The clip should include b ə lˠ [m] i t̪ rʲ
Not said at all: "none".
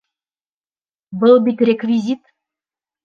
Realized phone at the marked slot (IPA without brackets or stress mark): b